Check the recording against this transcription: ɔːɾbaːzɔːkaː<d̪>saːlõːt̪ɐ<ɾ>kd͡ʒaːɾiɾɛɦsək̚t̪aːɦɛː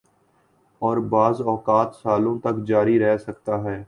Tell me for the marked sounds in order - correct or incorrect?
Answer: incorrect: t̪, incorrect: none

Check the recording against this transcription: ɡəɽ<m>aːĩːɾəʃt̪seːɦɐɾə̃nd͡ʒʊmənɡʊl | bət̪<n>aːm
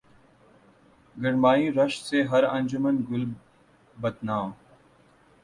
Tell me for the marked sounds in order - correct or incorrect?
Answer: correct, correct

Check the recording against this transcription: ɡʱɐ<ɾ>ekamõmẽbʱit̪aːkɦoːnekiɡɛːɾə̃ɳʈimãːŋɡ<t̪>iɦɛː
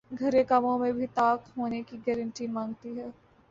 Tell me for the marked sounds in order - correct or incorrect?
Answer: correct, correct

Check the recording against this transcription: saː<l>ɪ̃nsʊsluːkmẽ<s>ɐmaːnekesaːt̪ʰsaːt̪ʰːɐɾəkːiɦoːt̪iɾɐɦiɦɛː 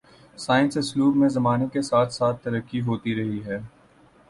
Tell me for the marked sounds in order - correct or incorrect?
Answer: incorrect: none, incorrect: z

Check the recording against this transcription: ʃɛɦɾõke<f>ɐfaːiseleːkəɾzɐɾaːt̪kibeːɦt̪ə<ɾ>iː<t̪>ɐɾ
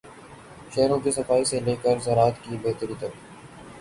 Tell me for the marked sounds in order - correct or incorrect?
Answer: incorrect: s, correct, correct

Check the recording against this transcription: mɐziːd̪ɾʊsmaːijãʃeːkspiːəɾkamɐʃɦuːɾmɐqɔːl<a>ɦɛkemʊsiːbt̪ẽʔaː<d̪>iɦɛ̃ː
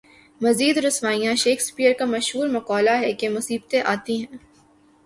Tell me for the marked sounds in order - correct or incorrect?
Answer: correct, incorrect: t̪

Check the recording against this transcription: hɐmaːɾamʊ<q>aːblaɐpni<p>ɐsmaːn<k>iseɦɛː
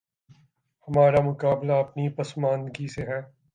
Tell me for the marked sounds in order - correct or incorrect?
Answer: incorrect: k, correct, incorrect: ɡ

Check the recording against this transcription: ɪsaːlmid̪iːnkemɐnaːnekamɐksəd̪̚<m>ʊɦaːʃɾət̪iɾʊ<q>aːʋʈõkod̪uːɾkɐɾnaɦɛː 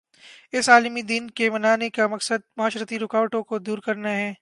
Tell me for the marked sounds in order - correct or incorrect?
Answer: correct, incorrect: k

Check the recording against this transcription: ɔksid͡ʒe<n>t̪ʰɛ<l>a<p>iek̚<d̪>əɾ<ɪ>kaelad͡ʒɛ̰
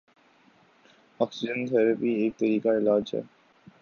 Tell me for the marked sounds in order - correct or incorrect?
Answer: correct, incorrect: ɾ, correct, incorrect: t̪, incorrect: i

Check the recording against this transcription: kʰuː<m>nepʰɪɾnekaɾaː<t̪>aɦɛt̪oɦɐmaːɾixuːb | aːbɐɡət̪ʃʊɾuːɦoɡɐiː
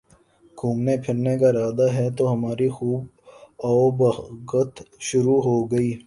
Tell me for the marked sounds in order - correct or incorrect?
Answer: correct, incorrect: d̪

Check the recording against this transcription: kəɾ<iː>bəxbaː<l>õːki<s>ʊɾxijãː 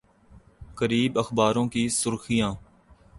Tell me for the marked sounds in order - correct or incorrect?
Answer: correct, incorrect: ɾ, correct

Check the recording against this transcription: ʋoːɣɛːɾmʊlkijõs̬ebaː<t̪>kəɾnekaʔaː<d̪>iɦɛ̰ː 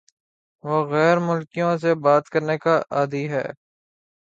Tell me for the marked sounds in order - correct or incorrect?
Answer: correct, correct

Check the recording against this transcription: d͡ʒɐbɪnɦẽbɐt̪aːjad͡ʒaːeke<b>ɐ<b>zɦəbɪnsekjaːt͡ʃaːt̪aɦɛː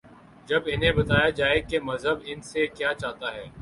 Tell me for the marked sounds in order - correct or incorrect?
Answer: incorrect: m, incorrect: none

